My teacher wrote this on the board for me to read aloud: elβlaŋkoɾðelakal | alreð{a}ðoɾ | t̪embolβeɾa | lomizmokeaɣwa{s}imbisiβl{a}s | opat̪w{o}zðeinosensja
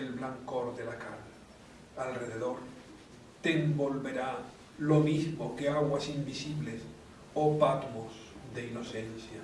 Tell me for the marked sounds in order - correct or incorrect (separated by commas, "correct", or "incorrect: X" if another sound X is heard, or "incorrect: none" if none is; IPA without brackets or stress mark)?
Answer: incorrect: e, correct, incorrect: e, correct